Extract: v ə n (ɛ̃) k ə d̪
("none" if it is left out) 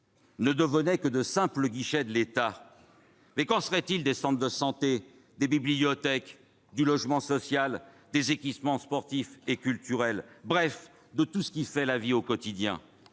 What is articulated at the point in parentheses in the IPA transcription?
ɛ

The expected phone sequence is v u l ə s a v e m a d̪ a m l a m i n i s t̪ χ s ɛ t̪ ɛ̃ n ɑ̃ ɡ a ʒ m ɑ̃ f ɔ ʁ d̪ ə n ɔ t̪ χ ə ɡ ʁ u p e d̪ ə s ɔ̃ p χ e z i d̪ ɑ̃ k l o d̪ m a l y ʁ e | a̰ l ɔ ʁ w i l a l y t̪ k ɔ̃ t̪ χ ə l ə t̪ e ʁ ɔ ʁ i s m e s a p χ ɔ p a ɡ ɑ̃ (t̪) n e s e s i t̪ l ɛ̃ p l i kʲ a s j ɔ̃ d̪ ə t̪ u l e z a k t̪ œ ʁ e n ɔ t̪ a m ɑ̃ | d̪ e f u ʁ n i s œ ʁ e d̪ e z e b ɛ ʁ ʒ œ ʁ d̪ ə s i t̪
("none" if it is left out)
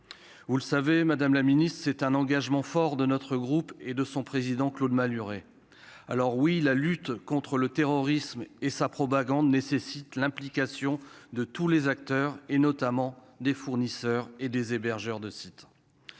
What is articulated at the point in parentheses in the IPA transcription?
d̪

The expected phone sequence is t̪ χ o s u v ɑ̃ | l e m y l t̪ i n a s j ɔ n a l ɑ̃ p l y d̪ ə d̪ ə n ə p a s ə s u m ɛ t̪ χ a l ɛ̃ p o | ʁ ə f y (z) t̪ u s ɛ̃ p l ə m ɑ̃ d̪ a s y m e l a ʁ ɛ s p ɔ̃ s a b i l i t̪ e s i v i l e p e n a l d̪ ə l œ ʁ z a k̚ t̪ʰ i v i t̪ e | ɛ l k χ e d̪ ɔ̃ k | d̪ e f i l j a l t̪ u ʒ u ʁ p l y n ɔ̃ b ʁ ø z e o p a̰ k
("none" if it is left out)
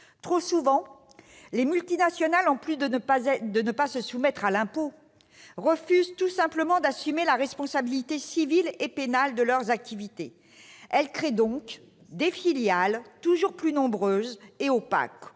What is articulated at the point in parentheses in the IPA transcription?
z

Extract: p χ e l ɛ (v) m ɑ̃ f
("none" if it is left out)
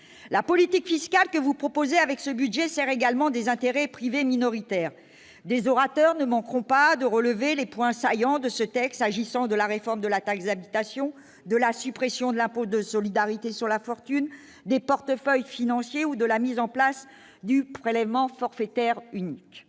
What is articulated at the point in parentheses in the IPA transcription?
v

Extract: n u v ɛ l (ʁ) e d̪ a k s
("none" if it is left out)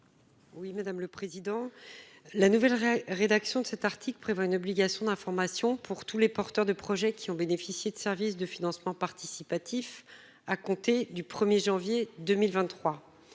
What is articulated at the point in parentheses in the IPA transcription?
ʁ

